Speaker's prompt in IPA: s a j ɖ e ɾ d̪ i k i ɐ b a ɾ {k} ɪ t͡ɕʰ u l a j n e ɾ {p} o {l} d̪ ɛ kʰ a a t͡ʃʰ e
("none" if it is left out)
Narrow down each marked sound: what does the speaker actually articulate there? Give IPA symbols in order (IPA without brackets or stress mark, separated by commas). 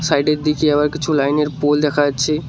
k, p, l